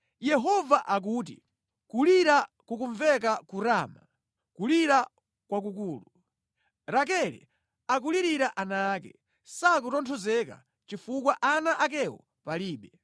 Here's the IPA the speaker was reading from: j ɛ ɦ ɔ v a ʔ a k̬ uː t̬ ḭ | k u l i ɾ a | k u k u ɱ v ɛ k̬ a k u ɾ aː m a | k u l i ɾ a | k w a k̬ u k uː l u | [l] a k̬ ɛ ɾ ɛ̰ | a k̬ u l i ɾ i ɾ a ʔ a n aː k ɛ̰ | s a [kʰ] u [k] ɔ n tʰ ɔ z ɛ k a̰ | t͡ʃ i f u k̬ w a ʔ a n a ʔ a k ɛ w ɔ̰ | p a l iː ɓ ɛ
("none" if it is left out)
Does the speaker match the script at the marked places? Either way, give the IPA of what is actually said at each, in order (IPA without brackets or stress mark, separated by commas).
ɾ, k, t